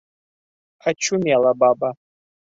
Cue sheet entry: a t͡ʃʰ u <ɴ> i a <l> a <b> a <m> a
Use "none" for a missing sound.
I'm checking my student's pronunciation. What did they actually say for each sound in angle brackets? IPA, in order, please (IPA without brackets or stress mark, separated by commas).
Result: m, l, b, b